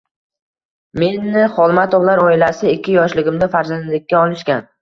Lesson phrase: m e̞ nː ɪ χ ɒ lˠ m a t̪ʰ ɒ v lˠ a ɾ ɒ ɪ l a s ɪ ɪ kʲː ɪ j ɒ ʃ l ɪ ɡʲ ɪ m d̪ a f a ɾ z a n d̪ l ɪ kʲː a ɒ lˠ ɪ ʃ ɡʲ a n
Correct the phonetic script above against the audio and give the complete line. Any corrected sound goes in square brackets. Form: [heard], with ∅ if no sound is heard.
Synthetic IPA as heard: m e̞ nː ɪ χ ɒ lˠ m a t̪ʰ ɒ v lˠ a ɾ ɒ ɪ l a s ɪ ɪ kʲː ɪ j ɒ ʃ l ɪ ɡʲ ɪ m d̪ a f a ɾ z a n d̪ l ɪ kʲː a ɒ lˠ ɪ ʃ [kʲ] a n